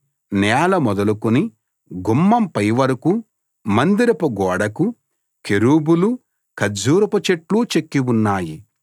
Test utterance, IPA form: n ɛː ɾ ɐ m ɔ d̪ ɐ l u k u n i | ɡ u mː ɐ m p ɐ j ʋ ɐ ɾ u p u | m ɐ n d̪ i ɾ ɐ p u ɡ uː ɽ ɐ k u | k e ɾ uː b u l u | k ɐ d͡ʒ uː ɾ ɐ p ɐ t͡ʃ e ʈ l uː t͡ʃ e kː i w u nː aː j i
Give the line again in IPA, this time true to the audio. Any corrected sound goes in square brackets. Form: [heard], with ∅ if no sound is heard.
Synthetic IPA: n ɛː [l] ɐ m ɔ d̪ ɐ l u k u n i | ɡ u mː ɐ m p ɐ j ʋ ɐ ɾ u [k] u | m ɐ n d̪ i ɾ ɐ p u ɡ [ɔː] ɽ ɐ k u | k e ɾ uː b u l u | k ɐ d͡ʒ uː ɾ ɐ p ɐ t͡ʃ e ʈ l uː t͡ʃ e kː i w u nː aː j i